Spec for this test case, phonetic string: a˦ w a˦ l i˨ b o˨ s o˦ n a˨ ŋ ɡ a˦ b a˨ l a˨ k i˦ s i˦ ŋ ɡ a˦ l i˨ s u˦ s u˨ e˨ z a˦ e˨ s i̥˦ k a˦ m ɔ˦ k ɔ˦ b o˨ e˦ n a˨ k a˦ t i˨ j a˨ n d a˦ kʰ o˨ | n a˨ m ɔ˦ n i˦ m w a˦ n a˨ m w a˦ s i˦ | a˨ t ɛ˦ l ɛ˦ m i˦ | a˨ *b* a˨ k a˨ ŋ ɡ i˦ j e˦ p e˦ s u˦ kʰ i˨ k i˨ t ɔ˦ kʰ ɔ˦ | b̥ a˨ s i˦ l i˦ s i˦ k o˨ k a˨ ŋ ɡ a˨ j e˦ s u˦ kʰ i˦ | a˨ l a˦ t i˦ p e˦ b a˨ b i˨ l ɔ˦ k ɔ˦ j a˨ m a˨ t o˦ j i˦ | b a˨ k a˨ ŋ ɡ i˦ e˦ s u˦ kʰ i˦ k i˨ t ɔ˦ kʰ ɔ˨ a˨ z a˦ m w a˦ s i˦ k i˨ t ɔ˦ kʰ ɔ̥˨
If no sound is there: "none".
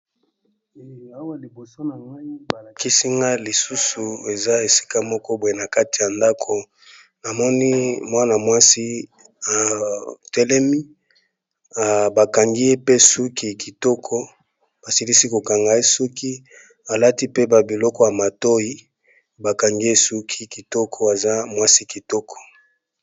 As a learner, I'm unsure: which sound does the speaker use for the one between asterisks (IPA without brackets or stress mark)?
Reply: b